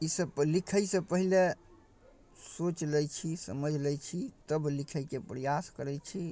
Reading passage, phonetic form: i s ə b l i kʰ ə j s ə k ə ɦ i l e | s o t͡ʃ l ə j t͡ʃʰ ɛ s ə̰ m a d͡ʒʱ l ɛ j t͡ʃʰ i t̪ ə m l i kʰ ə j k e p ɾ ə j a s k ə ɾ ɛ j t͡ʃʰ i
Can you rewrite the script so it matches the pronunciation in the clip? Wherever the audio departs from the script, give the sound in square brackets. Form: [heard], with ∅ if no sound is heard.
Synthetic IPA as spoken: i s ə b l i kʰ ə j s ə [p] ə ɦ i l e | s o t͡ʃ l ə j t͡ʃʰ [i] s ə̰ m [ə] d͡ʒʱ l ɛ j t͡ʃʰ i t̪ ə [b] l i kʰ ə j k e p ɾ ə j a s k ə ɾ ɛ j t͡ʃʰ i